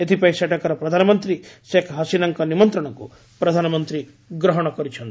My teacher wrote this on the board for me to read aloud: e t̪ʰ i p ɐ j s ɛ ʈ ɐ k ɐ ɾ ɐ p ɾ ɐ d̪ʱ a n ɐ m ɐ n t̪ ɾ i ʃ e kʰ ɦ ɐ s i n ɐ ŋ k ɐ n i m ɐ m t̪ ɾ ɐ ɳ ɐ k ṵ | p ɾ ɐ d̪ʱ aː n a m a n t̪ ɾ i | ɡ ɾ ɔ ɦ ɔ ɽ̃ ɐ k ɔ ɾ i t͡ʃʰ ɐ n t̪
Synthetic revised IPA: e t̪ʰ i p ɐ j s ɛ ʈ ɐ k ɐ ɾ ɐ p ɾ ɐ d̪ʱ a n ɐ m ɐ n t̪ ɾ i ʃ e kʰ ɦ ɐ s i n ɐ ŋ k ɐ n i m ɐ n t̪ ɾ ɐ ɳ ɐ k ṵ | p ɾ ɐ d̪ʱ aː n ɐ m ɐ n t̪ ɾ i | ɡ ɾ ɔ ɦ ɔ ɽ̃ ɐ k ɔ ɾ i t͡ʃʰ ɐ n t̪